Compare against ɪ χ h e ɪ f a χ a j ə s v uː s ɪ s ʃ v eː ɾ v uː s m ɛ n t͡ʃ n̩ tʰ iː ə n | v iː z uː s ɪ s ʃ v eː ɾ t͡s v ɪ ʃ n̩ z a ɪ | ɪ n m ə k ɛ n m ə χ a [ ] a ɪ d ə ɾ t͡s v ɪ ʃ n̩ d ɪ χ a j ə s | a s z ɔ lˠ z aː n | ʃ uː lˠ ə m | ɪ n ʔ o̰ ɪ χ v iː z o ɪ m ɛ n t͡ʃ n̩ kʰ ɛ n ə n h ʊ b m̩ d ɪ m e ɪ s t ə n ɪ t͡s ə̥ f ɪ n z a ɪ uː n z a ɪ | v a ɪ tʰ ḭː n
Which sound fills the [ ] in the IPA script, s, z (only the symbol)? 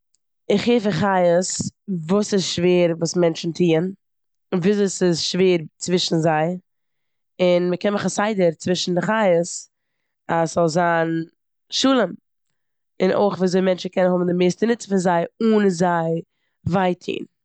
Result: s